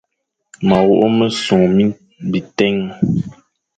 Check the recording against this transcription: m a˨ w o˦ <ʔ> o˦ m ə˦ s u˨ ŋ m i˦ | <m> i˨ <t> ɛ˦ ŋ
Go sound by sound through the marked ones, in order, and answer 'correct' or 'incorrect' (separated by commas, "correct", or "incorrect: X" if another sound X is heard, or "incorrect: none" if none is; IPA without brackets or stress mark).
correct, incorrect: b, correct